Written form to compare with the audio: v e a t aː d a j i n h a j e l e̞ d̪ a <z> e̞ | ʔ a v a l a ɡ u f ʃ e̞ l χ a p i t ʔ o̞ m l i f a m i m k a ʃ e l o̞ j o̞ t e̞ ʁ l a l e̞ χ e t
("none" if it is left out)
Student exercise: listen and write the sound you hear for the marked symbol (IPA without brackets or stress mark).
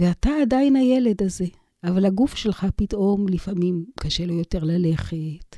z